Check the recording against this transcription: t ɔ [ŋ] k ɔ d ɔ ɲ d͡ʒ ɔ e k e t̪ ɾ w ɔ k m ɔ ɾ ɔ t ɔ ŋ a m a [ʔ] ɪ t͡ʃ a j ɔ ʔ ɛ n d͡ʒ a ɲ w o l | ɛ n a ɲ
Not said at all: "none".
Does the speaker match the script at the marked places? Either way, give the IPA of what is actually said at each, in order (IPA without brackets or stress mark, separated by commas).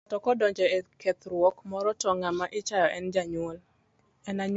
none, ʔ